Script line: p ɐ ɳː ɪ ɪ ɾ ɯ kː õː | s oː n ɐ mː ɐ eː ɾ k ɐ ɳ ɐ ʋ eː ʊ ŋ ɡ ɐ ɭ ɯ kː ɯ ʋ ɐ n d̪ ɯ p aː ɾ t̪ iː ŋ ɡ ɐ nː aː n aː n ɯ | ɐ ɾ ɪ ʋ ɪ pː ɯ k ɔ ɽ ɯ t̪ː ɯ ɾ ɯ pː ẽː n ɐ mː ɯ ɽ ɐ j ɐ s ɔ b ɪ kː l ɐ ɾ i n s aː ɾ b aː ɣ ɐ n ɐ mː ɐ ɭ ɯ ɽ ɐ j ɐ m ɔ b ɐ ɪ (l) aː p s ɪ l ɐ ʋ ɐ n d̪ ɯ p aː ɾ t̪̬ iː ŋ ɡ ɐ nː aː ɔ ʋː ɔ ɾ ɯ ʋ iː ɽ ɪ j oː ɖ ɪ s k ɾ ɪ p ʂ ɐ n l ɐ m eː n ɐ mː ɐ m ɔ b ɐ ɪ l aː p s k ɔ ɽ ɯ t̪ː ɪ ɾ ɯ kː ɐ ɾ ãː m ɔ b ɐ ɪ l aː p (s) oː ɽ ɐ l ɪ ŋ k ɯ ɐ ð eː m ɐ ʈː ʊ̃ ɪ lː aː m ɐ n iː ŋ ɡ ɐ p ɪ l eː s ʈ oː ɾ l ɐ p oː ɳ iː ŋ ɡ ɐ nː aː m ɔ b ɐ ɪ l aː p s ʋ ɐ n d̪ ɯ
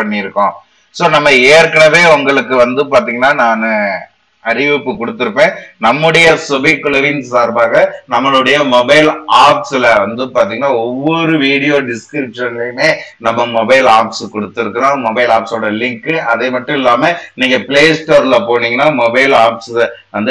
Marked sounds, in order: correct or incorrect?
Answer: correct, correct

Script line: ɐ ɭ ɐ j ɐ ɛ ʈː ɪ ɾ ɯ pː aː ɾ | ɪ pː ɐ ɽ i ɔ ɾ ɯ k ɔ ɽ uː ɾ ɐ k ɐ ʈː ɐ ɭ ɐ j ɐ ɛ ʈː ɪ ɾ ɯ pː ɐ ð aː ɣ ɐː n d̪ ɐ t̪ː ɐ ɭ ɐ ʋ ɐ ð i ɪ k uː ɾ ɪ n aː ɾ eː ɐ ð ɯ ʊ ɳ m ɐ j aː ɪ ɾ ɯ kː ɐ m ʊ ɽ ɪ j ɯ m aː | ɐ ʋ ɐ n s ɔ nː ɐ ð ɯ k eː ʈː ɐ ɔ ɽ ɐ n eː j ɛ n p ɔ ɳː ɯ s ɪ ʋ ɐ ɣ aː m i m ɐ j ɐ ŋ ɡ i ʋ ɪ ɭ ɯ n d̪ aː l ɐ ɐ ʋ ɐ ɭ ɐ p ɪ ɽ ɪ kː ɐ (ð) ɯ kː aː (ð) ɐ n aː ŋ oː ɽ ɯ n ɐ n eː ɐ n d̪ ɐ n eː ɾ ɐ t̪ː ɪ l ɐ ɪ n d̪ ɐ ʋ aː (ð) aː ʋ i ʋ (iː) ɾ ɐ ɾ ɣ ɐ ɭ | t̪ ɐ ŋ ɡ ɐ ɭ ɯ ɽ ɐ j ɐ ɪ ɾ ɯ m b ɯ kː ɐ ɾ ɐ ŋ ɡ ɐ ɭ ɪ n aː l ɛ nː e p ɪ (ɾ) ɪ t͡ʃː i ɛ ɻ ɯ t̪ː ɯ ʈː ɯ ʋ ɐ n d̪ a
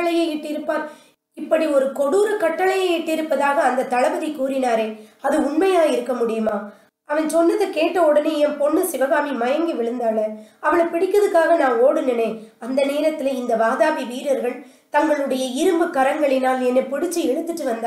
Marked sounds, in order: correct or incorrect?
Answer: correct, incorrect, correct, correct, incorrect

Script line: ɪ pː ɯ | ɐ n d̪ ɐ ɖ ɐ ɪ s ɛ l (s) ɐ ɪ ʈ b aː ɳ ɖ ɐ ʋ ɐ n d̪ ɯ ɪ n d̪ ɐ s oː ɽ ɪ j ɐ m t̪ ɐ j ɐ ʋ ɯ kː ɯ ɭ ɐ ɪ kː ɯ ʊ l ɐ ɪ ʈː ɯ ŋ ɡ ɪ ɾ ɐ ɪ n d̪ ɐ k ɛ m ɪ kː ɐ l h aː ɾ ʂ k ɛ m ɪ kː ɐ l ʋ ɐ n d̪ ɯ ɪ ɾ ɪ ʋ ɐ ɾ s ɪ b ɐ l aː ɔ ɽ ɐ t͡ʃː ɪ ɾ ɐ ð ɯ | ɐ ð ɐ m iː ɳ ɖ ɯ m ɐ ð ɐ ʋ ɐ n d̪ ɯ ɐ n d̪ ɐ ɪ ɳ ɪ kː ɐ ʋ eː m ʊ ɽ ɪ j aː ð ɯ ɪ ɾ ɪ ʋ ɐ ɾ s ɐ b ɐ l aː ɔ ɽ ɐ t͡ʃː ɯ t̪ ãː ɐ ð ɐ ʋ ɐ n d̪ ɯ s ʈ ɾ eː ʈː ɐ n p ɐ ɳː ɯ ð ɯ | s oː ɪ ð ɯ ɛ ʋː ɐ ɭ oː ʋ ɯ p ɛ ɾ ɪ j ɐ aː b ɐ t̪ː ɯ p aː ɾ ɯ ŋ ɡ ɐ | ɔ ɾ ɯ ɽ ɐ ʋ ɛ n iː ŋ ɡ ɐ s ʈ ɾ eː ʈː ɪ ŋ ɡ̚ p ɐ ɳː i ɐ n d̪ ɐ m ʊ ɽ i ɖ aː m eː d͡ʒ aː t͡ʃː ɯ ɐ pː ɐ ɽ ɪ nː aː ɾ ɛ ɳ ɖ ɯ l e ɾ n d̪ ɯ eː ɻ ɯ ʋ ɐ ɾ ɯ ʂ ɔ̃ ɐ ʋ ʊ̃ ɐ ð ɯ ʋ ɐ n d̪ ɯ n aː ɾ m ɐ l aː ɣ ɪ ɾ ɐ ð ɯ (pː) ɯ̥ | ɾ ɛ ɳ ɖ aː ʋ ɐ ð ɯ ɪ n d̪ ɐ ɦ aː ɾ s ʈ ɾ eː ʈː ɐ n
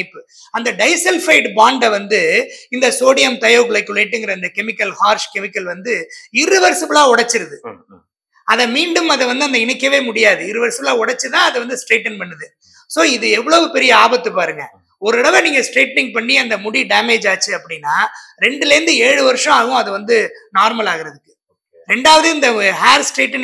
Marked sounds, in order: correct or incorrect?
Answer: incorrect, incorrect

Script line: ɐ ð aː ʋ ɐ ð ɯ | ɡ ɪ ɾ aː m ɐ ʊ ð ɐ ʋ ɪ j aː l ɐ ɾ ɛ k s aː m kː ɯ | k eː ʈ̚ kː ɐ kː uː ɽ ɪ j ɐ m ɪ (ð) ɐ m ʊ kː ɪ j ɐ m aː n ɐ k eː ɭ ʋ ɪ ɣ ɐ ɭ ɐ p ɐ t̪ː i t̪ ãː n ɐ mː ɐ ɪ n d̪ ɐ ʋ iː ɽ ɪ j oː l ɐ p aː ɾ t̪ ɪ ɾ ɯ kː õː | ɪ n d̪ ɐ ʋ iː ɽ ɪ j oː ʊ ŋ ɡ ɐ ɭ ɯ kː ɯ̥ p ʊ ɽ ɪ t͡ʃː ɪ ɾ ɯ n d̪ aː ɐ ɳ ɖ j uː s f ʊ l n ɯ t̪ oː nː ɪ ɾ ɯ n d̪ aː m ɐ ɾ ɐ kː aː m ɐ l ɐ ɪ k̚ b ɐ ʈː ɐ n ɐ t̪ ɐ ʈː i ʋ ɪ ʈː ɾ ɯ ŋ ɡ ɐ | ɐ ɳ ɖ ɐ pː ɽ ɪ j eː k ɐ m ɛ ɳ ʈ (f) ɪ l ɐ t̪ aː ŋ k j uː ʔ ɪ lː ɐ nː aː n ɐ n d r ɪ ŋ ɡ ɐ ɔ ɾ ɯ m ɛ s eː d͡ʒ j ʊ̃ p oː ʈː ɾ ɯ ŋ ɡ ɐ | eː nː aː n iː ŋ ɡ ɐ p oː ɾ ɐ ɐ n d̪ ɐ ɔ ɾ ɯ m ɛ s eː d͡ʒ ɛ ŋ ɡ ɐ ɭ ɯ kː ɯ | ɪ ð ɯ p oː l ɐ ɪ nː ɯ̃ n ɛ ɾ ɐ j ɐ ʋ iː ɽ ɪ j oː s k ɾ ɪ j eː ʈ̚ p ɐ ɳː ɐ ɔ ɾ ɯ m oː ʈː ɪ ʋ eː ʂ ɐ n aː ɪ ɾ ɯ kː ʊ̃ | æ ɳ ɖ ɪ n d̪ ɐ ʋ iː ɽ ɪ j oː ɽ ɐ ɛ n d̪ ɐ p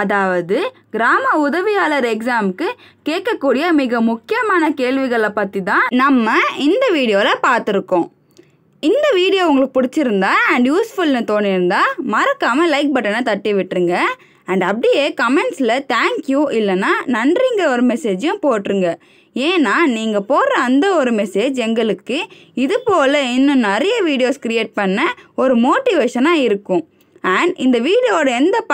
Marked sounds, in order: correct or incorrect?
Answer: incorrect, incorrect

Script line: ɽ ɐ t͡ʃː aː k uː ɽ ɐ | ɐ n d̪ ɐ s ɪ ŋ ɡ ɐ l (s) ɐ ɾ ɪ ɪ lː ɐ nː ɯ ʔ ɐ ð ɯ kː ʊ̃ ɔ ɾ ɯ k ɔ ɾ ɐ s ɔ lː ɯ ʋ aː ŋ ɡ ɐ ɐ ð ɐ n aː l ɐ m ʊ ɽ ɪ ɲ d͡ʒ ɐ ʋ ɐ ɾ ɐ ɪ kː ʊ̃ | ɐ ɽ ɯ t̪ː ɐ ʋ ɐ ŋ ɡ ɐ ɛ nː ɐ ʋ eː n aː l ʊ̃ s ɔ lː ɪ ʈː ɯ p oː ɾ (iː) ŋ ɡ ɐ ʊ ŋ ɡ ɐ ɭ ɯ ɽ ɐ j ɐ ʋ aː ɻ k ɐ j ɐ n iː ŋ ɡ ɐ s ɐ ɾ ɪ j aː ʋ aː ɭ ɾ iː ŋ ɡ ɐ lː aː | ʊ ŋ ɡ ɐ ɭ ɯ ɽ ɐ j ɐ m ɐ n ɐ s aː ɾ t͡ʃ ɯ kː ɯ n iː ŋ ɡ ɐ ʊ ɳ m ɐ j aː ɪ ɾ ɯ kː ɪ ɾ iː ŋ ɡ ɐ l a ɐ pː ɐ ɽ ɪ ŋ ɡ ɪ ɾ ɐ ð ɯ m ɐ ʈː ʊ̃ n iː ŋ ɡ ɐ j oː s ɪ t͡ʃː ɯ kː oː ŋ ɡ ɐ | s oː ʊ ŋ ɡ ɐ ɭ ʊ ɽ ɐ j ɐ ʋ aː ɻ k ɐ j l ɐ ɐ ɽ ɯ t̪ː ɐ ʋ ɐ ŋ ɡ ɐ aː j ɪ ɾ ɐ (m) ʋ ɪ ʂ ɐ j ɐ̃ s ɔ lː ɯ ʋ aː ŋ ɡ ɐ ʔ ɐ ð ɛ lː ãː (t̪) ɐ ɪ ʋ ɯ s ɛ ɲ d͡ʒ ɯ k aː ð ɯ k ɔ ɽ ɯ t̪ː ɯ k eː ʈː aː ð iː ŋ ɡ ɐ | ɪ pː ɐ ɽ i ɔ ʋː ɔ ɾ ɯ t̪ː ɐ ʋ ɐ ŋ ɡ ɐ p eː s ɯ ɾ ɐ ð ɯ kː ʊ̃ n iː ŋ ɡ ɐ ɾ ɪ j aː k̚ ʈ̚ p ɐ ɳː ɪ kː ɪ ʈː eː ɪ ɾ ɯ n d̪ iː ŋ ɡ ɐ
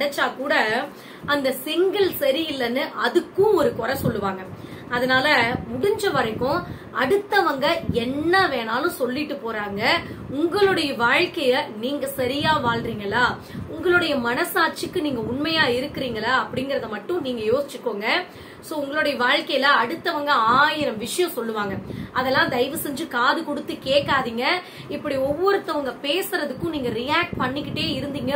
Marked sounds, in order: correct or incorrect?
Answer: correct, incorrect, correct, incorrect

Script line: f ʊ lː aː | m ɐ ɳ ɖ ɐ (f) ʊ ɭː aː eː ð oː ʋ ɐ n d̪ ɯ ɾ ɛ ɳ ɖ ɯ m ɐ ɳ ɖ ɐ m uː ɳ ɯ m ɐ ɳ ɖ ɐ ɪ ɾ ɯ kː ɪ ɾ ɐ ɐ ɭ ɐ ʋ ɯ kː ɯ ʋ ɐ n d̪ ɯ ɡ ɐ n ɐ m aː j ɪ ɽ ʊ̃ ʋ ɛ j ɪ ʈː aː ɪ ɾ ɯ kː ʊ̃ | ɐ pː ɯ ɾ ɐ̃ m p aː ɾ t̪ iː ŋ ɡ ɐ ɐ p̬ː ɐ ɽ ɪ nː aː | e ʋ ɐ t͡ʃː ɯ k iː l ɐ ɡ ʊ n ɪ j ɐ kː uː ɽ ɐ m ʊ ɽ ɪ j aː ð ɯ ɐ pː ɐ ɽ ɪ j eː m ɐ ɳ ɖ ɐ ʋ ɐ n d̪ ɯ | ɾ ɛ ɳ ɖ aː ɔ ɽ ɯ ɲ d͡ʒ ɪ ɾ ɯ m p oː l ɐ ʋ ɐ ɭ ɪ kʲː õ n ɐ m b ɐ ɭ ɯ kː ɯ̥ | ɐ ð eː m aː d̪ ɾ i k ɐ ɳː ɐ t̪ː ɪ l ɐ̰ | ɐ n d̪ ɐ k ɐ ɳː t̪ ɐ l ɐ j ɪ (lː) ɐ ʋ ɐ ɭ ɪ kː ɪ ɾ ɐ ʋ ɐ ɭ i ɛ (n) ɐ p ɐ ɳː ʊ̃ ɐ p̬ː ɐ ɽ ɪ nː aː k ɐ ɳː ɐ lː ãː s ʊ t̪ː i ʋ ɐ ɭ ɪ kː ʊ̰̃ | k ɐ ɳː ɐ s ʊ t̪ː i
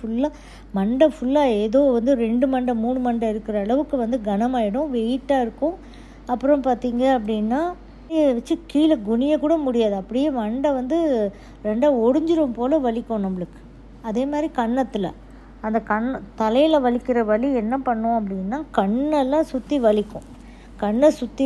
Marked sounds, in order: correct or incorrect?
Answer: correct, incorrect, incorrect

